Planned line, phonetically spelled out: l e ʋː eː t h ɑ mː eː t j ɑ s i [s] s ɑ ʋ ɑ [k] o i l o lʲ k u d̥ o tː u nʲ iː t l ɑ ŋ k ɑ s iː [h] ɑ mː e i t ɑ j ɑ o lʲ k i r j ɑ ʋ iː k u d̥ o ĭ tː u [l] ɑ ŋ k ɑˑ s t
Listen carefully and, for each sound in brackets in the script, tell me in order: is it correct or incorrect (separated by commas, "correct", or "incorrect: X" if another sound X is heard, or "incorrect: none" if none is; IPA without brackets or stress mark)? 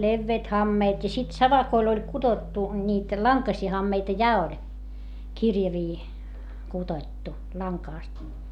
incorrect: t, correct, correct, correct